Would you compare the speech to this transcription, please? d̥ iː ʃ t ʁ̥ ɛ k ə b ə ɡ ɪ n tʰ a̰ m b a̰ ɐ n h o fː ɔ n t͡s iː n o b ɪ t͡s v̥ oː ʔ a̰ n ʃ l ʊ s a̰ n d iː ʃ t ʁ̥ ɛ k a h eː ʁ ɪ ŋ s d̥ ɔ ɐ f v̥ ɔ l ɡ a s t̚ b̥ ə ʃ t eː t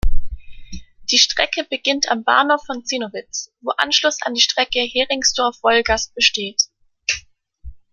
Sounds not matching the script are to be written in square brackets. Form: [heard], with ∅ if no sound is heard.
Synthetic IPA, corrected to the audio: d̥ iː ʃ t ʁ̥ ɛ k ə b ə ɡ ɪ n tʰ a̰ m b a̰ ɐ n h o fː ɔ n t͡s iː n o [v] ɪ t͡s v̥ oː ʔ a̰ n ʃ l ʊ s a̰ n d iː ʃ t ʁ̥ ɛ k [ə] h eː ʁ ɪ ŋ s d̥ ɔ ɐ f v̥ ɔ l ɡ a s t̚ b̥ ə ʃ t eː t